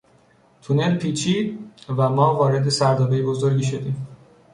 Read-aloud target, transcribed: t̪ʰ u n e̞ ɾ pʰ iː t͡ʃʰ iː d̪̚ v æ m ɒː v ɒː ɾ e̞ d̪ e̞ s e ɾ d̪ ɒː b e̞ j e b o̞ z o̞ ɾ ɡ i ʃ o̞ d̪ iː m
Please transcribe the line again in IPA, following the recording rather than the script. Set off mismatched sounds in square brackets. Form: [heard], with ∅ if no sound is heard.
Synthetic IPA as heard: t̪ʰ u n e̞ [l] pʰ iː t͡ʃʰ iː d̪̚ v æ m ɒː v ɒː ɾ e̞ d̪ e̞ s [æ] ɾ d̪ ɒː b e̞ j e b o̞ z o̞ ɾ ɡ i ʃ o̞ d̪ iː m